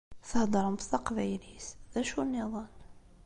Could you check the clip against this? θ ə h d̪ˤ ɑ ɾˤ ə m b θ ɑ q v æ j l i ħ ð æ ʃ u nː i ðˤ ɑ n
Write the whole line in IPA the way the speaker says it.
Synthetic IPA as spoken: θ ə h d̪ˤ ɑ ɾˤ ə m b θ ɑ q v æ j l i s ð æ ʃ u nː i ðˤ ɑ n